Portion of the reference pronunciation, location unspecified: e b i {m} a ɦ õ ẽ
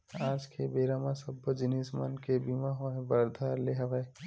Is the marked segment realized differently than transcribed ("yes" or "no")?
no